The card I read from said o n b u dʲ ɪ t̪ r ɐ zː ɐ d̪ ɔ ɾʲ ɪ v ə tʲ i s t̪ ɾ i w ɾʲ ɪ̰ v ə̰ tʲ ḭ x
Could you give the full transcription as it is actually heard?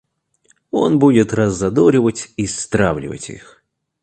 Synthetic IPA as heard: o n b u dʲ ɪ t̪ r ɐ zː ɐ d̪ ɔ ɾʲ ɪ v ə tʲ i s t̪ ɾ a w lʲ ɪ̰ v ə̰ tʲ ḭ x